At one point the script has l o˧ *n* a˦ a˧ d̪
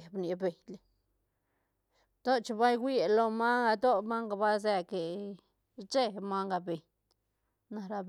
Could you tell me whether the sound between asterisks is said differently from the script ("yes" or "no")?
yes